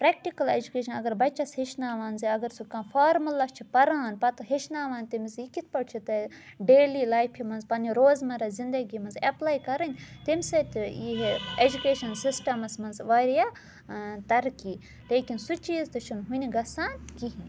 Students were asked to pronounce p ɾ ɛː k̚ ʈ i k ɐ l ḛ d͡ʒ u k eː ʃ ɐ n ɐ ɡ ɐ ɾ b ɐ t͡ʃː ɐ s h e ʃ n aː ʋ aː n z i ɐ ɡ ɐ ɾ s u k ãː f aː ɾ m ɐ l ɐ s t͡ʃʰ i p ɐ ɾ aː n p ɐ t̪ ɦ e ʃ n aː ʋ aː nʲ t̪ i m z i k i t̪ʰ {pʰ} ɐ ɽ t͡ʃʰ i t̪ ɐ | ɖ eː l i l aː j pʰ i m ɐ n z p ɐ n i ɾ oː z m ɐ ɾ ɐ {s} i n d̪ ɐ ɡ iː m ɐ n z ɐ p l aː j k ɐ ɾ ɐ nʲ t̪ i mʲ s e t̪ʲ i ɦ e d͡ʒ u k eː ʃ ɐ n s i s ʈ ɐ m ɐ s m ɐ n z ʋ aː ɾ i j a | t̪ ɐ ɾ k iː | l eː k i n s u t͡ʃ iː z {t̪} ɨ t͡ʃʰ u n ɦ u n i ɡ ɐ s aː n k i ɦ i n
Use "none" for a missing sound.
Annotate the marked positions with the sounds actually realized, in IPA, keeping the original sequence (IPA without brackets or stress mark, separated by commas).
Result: p, z, t̪